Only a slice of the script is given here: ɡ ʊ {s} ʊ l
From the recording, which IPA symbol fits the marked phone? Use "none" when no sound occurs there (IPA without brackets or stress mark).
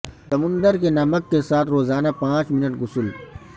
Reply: s